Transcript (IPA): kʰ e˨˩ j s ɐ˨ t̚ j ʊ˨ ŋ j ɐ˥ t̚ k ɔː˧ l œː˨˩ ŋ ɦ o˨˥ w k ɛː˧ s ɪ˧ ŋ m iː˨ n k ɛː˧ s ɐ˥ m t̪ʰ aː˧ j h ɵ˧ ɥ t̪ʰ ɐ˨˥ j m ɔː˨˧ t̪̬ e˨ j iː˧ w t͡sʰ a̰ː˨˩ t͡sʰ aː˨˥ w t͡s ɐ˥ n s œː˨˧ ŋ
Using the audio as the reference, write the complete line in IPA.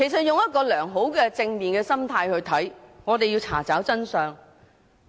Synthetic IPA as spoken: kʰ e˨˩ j s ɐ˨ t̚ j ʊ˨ ŋ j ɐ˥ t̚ k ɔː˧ l œː˨˩ ŋ ɦ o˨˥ w k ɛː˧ t͡s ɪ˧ ŋ m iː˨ n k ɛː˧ s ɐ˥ m t̪ʰ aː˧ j h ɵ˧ ɥ t̪ʰ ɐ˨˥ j ŋ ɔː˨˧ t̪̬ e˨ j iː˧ w t͡sʰ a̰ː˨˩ t͡s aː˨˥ w t͡s ɐ˥ n s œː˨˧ ŋ